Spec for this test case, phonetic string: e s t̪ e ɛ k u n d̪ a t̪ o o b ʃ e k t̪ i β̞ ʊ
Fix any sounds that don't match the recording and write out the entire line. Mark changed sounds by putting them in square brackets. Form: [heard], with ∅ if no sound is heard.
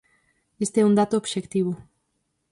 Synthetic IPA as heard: e s t̪ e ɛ [∅] u n d̪ a t̪ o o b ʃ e k t̪ i β̞ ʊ